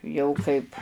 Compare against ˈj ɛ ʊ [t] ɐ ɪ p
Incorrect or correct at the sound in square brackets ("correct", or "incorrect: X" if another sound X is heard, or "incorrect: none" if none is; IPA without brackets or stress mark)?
incorrect: k